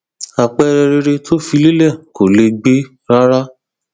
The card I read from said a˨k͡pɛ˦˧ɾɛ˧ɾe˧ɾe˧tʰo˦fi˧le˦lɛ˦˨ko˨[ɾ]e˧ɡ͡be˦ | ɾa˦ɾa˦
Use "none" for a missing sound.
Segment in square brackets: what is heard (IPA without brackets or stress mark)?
l